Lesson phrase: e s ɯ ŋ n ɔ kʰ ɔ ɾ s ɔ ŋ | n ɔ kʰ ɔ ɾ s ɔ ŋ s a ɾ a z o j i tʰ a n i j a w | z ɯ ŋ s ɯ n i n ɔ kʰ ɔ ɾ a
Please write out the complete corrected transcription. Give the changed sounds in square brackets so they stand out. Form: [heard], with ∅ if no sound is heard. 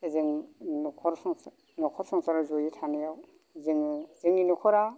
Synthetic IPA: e [z] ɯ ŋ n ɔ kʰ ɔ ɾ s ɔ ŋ | n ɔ kʰ ɔ ɾ s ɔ ŋ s a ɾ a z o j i tʰ a n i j a w | z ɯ ŋ [z] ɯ [ŋ] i n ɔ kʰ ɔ ɾ a